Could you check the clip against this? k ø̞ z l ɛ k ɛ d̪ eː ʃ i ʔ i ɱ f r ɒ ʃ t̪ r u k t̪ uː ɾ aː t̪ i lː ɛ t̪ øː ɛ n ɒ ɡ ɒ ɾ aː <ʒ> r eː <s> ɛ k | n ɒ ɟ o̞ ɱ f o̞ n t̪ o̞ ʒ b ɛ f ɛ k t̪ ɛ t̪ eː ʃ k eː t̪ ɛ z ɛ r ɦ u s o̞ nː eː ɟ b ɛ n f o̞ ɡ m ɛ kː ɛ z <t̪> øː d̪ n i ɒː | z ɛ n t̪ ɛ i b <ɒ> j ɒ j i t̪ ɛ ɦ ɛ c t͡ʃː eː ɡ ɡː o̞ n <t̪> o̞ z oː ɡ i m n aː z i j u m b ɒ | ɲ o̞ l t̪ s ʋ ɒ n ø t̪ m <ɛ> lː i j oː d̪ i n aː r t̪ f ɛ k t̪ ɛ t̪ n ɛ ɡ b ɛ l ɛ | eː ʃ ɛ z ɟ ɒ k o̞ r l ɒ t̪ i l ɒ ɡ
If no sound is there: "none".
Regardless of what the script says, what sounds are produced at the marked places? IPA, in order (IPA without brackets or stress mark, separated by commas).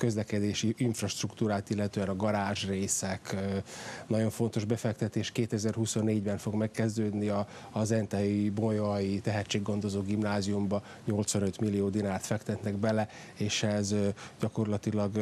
ʒ, s, d̪, o, d̪, i